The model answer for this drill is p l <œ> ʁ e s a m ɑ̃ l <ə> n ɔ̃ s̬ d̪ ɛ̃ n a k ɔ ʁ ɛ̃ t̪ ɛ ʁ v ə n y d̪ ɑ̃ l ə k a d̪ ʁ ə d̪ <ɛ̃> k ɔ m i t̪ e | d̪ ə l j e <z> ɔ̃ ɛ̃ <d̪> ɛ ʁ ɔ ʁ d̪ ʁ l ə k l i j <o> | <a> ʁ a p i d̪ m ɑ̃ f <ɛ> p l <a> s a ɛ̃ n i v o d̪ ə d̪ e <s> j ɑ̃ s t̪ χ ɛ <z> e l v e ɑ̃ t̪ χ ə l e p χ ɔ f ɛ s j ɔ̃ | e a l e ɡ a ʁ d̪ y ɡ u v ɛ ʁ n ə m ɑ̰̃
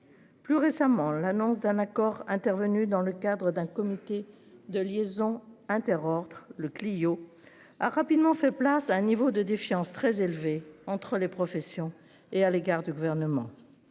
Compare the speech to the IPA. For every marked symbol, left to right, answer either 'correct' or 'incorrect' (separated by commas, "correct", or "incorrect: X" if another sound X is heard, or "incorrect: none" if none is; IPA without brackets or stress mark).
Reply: incorrect: y, incorrect: a, correct, correct, incorrect: t̪, correct, correct, correct, correct, incorrect: f, correct